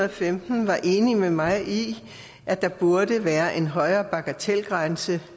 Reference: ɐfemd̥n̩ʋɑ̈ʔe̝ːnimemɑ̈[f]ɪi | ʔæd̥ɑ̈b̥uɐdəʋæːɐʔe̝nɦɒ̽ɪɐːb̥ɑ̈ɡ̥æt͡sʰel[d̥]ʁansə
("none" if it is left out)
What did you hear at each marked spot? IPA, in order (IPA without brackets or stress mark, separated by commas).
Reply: none, ɡ̥